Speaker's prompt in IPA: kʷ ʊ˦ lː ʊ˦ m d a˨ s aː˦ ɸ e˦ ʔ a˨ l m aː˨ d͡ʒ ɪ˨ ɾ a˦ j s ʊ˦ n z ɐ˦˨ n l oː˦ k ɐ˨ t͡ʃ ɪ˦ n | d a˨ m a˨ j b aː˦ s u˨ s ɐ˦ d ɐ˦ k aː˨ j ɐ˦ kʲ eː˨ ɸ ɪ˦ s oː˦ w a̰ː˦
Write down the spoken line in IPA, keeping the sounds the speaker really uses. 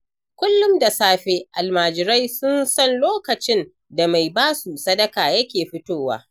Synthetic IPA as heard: kʷ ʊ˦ lː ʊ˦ m d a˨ s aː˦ ɸ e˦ ʔ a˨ l m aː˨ d͡ʒ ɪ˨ ɾ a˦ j s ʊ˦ n s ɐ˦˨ n l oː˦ k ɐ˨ t͡ʃ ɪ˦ n | d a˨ m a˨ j b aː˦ s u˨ s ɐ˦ d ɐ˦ k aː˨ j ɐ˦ kʲ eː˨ ɸ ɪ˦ t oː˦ w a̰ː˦